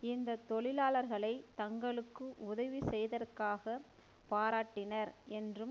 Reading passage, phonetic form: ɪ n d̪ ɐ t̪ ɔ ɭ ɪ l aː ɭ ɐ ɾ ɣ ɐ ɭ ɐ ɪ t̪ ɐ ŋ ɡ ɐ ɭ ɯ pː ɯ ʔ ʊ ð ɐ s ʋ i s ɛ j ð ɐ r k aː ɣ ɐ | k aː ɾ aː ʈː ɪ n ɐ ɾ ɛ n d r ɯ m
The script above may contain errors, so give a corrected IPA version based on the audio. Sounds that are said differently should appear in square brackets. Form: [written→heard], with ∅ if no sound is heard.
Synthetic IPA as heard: ɪ n d̪ ɐ t̪ ɔ ɭ ɪ l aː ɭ ɐ ɾ ɣ ɐ ɭ ɐ ɪ t̪ ɐ ŋ ɡ ɐ ɭ ɯ [pː→kː] ɯ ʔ ʊ ð ɐ [s→∅] ʋ i s ɛ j ð ɐ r k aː ɣ ɐ | [k→p] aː ɾ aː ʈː ɪ n ɐ ɾ ɛ n d r ɯ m